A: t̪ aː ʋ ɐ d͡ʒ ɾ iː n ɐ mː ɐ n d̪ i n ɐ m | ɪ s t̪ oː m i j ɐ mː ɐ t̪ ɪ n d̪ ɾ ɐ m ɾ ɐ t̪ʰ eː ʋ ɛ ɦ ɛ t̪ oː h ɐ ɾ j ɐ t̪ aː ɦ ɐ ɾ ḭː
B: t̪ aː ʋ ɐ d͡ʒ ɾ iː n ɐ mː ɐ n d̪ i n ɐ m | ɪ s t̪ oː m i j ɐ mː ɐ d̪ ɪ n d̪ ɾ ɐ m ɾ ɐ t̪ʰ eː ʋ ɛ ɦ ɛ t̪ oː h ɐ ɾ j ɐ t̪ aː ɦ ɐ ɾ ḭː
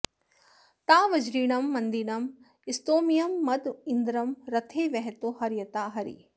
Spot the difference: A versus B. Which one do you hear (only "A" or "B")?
B